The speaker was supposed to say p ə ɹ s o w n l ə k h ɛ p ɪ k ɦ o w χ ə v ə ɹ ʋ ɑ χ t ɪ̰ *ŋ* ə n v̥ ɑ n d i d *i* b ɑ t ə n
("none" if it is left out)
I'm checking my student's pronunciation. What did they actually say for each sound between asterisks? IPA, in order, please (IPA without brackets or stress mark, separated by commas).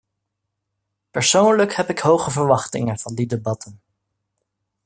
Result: ŋ, e